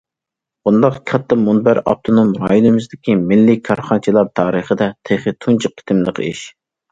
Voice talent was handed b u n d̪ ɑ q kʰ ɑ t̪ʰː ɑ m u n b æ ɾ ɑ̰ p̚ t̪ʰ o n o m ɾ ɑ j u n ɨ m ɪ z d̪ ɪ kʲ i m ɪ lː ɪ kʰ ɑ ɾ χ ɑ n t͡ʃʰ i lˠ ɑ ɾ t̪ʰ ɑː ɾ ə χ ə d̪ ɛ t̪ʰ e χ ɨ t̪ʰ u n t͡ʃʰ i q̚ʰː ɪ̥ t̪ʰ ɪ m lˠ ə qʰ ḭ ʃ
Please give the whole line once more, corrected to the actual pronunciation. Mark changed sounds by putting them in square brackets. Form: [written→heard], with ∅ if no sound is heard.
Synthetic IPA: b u n d̪ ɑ q kʰ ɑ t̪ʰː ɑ m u n b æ ɾ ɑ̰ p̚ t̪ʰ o n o m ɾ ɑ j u n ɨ m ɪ z d̪ ɪ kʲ i m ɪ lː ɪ kʰ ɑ ɾ χ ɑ n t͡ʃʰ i lˠ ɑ ɾ t̪ʰ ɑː ɾ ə χ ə d̪ ɛ t̪ʰ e χ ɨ t̪ʰ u n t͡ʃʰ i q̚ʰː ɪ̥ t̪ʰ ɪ m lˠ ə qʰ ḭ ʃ